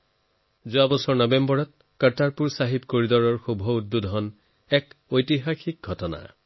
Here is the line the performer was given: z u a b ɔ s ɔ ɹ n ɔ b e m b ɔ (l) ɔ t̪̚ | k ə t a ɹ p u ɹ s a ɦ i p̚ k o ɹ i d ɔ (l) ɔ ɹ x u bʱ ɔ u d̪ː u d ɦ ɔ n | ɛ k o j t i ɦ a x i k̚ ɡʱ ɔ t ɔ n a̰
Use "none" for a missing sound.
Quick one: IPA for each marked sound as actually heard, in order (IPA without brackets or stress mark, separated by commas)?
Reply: ɹ, ɹ